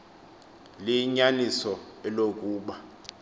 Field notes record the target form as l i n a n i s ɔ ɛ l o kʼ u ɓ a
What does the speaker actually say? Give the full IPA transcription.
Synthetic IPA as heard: l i ɲ a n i s ɔ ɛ l o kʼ uː ɓ a